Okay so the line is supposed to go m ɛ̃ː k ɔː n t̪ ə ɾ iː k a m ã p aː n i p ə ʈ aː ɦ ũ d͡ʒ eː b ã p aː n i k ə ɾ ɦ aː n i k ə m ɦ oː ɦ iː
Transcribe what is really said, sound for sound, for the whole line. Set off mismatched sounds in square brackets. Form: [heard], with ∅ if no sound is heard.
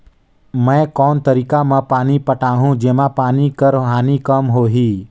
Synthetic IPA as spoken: m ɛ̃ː k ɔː n t̪ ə ɾ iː k a m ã p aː n i p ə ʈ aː ɦ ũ d͡ʒ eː [m] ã p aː n i k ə ɾ ɦ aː n i k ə m ɦ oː ɦ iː

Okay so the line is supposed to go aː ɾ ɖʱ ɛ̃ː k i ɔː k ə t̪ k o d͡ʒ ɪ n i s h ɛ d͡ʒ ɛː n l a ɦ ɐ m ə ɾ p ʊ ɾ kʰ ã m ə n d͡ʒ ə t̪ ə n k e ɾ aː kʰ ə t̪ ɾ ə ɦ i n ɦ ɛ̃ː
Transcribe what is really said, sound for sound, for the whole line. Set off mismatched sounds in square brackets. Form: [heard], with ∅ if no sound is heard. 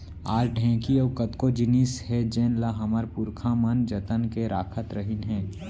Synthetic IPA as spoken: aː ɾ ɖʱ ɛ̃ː k i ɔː k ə t̪ k o d͡ʒ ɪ n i s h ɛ d͡ʒ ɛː n l a ɦ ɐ m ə ɾ p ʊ ɾ kʰ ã m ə n d͡ʒ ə t̪ ə n k e ɾ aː kʰ ə t̪ ɾ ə ɦ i n ɦ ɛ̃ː

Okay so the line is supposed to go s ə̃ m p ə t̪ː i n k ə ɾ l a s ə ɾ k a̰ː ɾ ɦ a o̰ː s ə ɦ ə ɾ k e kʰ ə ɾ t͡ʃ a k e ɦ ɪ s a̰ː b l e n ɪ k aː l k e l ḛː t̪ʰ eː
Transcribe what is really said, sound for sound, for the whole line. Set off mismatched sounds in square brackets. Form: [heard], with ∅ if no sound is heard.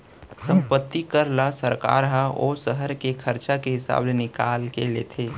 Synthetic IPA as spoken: s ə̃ m p ə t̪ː i [∅] k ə ɾ l a s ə ɾ k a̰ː ɾ ɦ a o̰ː s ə ɦ ə ɾ k e kʰ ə ɾ t͡ʃ a k e ɦ ɪ s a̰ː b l e n ɪ k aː l k e l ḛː t̪ʰ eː

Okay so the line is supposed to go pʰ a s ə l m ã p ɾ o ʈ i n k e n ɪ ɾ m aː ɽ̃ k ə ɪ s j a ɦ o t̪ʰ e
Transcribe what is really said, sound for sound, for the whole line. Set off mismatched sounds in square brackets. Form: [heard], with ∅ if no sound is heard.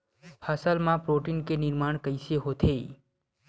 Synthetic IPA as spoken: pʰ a s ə l m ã p ɾ o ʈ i n k e n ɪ ɾ m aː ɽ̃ k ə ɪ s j [e] ɦ o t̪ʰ e

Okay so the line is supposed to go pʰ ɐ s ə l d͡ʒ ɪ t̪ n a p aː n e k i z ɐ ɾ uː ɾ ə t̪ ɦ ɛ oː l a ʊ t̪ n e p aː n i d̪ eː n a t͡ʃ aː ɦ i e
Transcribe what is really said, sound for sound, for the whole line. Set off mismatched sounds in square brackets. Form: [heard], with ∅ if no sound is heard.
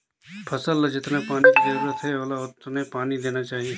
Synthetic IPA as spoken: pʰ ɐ s ə l d͡ʒ ɪ t̪ n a p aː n [i] k i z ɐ ɾ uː ɾ ə t̪ ɦ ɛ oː l a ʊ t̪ n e p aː n i d̪ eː n a t͡ʃ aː ɦ i e

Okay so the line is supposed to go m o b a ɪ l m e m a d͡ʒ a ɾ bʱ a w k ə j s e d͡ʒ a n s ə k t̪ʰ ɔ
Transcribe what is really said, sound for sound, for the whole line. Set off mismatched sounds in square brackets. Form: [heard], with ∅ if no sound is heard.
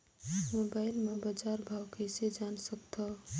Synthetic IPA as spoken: m o b a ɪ l m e [b] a d͡ʒ a ɾ bʱ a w k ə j s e d͡ʒ a n s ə k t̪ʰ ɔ

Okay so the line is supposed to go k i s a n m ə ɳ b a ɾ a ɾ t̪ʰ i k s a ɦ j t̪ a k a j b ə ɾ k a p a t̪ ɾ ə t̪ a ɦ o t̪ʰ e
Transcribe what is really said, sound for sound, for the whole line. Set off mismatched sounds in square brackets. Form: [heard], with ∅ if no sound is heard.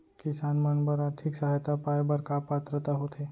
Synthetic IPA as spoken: k i s a n m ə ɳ b [ə] ɾ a ɾ t̪ʰ i k s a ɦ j t̪ a [p] a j b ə ɾ k a p a t̪ ɾ ə t̪ a ɦ o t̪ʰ e

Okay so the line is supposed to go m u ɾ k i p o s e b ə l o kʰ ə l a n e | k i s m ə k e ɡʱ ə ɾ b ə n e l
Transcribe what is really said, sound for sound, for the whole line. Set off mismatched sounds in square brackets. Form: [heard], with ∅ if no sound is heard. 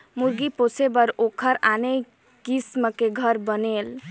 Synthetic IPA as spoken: m u ɾ [ɡ] i p o s e b ə [ɾ] o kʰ ə [ɾ] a n e | k i s m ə k e ɡʱ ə ɾ b ə n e l

